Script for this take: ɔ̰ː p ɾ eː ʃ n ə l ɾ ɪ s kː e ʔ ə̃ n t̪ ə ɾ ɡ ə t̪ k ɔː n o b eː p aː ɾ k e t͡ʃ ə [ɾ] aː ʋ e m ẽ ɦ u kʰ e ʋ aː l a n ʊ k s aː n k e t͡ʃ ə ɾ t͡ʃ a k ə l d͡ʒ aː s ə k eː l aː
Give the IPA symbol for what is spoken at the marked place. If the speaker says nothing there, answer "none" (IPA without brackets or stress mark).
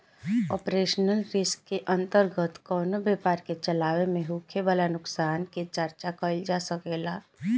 l